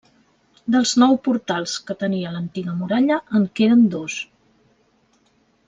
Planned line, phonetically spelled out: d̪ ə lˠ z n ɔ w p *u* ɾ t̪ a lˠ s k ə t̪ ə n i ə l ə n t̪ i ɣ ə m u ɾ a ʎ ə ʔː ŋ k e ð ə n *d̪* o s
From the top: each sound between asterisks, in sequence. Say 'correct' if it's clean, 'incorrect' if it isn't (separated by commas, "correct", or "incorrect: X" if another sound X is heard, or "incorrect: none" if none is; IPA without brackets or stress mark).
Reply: correct, correct